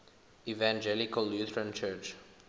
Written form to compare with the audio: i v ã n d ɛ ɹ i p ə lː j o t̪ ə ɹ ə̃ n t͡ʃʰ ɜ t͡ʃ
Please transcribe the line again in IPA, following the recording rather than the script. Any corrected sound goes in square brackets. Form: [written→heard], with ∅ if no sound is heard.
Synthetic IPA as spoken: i v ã n [d→d͡ʒ] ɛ [ɹ→l] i [p→k] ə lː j [o→u] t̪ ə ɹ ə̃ n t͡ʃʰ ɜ t͡ʃ